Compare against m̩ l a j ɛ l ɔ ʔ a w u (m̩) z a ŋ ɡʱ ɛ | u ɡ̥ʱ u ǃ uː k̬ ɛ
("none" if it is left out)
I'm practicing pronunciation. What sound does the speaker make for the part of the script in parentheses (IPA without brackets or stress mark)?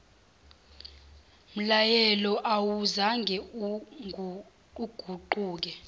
none